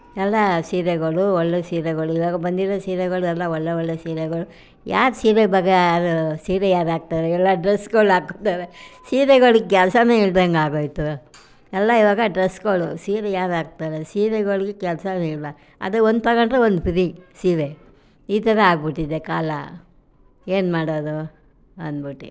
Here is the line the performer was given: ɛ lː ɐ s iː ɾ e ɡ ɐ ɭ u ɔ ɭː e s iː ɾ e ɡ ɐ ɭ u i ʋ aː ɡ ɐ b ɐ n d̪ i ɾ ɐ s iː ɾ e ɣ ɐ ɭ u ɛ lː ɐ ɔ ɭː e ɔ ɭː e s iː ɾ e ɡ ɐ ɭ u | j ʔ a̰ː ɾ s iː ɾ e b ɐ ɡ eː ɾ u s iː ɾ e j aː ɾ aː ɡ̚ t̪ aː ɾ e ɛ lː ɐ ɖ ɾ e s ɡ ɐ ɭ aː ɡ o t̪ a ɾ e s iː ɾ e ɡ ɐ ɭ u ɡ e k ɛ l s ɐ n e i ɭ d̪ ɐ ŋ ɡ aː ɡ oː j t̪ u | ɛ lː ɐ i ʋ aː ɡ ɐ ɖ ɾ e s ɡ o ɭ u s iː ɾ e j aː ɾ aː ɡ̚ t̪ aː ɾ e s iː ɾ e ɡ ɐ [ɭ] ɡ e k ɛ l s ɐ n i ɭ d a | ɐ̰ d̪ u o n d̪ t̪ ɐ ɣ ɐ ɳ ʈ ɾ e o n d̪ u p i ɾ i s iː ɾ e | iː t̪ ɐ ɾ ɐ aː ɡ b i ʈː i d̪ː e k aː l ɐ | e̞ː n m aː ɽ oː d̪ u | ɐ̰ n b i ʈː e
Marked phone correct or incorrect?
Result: correct